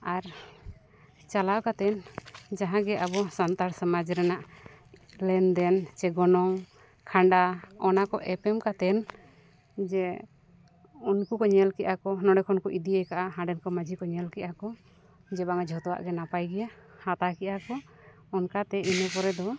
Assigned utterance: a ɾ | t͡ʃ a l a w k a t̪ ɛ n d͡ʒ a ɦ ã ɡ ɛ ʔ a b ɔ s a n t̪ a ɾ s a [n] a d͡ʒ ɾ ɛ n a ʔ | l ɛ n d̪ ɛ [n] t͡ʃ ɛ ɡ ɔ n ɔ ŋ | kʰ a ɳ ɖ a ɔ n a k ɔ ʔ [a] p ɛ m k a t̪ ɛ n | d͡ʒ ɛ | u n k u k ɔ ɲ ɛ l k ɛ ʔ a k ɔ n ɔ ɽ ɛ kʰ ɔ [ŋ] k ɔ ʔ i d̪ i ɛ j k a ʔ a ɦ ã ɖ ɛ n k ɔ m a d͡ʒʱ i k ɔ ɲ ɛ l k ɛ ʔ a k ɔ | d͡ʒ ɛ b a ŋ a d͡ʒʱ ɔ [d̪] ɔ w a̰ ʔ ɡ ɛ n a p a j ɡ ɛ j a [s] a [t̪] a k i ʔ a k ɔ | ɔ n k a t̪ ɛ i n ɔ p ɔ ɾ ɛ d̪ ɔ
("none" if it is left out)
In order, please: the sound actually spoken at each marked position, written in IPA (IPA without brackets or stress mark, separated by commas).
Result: m, n, ɛ, n, t̪, h, t̪